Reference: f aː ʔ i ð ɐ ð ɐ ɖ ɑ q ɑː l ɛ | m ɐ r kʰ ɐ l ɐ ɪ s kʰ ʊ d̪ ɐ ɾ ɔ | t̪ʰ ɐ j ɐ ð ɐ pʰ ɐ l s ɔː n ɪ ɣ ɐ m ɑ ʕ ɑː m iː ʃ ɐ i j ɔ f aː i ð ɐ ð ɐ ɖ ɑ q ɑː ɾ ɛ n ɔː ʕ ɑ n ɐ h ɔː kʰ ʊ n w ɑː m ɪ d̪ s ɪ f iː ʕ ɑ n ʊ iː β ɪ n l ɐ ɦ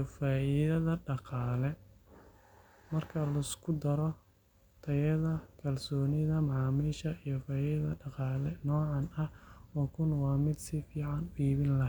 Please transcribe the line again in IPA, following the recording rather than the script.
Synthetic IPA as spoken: f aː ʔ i ð ɐ ð ɐ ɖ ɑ q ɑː l ɛ | m ɐ r kʰ ɐ l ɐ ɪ s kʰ ʊ d̪ ɐ ɾ ɔ | t̪ʰ ɐ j ɐ ð ɐ kʰ ɐ l s ɔː n ɪ ð ɐ m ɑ ʕ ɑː m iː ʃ ɐ i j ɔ f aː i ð ɐ ð ɐ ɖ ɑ q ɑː l ɛ n ɔː ʕ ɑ n ɐ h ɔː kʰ ʊ n w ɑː m ɪ d̪ s ɪ f iː ʕ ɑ n ʊ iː β ɪ n l ɐ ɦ